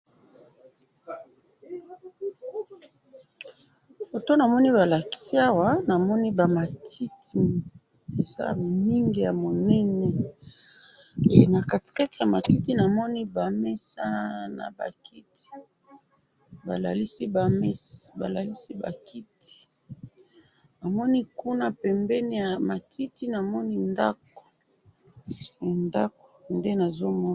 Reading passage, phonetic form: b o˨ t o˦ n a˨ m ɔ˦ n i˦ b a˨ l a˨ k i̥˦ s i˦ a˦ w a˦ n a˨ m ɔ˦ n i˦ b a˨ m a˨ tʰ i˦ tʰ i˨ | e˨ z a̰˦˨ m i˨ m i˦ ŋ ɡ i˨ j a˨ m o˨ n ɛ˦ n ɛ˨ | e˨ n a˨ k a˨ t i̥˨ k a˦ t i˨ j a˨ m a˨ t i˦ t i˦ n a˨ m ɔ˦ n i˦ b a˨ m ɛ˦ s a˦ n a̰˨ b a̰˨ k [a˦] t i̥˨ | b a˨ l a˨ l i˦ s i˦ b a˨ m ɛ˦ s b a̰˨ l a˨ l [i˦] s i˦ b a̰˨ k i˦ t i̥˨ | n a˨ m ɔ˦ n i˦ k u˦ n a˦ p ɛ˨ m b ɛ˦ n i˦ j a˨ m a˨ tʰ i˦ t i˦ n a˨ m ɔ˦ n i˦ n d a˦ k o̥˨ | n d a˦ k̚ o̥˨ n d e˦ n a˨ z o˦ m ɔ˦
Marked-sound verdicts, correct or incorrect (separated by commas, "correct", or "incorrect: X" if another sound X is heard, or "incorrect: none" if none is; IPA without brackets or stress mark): incorrect: i˦, correct